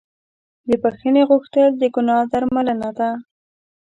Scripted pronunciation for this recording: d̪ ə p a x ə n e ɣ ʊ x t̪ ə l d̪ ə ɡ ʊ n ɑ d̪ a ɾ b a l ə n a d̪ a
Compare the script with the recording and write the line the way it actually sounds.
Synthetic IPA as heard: d̪ ə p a x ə n e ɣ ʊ x t̪ ə l d̪ ə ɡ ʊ n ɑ d̪ a ɾ m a l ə n a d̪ a